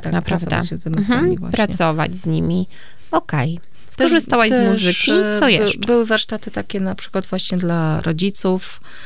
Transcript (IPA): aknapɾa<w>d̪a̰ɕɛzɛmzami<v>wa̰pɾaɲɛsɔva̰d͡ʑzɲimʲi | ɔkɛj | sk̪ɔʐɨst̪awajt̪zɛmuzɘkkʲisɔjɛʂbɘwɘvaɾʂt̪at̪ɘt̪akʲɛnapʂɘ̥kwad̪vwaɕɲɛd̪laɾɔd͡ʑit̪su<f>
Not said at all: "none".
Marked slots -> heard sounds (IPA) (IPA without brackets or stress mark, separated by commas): v, v, f